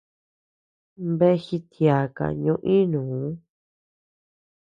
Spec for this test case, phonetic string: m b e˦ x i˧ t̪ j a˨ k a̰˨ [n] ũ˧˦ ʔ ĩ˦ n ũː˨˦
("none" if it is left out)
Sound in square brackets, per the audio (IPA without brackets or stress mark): ɲ